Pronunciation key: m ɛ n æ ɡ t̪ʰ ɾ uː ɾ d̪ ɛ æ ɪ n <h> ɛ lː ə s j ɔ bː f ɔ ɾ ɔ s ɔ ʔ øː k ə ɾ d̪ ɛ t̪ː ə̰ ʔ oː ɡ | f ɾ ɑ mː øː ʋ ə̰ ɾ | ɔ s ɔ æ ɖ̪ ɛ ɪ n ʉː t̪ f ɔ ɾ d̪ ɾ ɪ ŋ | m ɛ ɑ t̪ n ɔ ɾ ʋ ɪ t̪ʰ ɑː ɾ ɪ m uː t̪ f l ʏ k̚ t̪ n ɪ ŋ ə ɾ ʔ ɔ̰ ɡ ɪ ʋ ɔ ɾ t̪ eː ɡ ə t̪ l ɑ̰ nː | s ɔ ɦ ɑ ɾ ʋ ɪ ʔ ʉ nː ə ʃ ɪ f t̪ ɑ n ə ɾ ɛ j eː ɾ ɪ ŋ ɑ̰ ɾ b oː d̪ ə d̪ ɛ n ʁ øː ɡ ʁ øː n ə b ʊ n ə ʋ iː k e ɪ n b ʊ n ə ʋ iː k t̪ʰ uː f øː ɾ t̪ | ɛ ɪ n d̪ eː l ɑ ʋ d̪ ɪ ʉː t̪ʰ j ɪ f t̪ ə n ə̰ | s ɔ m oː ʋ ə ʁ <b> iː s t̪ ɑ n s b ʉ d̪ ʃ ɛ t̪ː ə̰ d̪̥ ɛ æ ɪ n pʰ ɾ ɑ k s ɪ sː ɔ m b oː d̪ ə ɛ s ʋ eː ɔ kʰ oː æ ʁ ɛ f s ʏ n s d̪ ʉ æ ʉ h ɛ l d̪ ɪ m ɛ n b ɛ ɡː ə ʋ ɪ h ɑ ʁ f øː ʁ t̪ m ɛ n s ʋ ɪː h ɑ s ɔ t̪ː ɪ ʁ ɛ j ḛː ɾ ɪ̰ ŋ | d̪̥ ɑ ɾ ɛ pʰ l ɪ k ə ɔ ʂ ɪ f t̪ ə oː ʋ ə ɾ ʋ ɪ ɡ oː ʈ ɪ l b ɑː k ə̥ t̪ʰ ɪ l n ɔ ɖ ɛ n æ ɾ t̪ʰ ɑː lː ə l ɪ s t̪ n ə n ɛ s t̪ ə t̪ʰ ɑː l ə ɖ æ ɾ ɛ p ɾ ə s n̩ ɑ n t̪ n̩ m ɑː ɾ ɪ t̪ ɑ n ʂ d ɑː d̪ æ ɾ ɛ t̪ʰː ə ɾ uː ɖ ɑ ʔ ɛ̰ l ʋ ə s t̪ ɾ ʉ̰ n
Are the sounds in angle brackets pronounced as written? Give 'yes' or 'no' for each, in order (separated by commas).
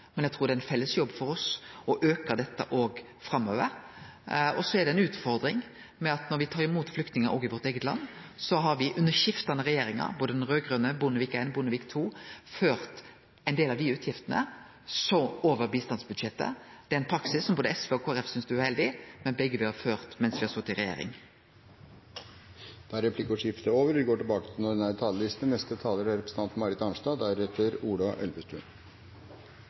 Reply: no, yes